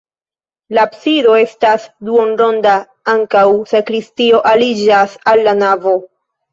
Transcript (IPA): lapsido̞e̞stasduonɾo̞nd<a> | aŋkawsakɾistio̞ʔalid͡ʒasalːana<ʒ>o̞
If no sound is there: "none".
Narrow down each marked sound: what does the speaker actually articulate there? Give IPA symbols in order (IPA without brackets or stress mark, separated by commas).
a, v